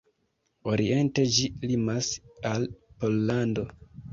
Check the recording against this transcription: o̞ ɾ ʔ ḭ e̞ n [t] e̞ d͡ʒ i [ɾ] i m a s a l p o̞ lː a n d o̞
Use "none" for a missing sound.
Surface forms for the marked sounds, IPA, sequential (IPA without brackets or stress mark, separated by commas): t, l